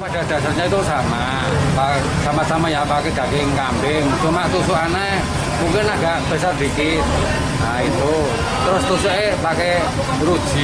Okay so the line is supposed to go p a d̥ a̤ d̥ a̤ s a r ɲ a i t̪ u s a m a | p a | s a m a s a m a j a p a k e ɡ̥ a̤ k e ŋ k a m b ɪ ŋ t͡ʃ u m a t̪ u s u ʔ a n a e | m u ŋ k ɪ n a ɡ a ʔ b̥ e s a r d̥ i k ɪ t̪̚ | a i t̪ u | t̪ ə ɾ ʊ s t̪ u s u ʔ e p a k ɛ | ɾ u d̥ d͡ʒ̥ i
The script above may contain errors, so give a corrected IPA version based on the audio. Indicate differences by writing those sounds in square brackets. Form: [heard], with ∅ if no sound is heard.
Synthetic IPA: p a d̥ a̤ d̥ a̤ s a r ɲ a i t̪ u s a m a | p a | s a m a s a m a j a p a k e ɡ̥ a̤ k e ŋ k a m b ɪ ŋ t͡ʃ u m a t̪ u s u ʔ a n a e | m u ŋ k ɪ n a ɡ a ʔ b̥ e s a r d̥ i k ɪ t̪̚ | a i t̪ u | t̪ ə ɾ ʊ s t̪ u s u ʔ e p a k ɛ | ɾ u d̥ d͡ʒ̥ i